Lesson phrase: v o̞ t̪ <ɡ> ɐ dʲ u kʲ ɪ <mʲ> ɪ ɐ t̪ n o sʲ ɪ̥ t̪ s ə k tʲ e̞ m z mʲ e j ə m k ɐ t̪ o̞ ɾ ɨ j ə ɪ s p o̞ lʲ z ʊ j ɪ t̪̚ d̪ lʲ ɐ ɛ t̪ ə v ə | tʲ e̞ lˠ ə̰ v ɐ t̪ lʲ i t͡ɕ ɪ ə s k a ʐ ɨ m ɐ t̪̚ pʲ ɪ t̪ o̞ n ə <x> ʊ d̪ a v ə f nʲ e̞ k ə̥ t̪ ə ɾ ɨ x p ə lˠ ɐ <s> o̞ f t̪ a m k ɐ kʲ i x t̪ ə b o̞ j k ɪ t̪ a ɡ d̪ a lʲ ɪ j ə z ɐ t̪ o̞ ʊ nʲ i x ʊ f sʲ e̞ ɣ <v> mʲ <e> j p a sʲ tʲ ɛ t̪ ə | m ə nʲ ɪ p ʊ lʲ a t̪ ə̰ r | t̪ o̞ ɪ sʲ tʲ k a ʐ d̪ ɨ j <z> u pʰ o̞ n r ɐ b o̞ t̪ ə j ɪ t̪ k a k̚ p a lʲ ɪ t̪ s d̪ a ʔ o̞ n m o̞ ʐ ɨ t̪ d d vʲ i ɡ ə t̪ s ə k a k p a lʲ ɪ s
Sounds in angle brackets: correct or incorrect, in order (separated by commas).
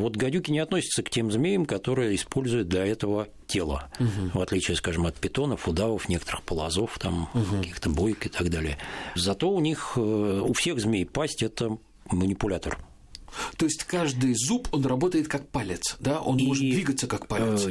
correct, incorrect, incorrect, incorrect, incorrect, correct, correct